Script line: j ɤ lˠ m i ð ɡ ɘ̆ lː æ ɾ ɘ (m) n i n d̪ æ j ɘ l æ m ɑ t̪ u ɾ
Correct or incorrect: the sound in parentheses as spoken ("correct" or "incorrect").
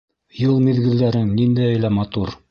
incorrect